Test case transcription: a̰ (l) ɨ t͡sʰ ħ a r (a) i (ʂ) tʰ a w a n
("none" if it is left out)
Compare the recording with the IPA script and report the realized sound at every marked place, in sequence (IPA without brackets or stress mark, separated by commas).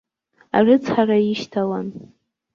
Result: r, a, ʃ